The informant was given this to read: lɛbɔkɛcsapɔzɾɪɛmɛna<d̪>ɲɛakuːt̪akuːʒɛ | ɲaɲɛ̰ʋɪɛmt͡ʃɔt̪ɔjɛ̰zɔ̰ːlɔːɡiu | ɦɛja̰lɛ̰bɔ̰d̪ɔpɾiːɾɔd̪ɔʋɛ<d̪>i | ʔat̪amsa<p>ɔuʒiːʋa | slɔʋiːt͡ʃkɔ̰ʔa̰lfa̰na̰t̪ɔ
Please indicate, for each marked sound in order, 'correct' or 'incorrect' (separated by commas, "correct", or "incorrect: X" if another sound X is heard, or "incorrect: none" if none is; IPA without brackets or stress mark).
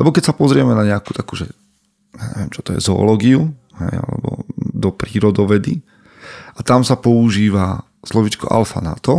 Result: incorrect: none, correct, correct